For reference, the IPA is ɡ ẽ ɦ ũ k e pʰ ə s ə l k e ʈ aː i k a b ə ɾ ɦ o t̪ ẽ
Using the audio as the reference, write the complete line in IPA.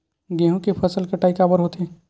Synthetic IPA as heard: ɡ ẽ ɦ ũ k e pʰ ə s ə l k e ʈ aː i k a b ə ɾ ɦ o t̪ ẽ